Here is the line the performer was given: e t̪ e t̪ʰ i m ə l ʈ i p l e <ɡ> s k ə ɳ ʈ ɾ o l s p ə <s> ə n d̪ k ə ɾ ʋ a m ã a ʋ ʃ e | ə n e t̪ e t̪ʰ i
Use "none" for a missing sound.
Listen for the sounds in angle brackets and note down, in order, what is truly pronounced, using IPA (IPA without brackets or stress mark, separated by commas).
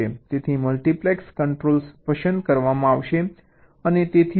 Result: k, ʃ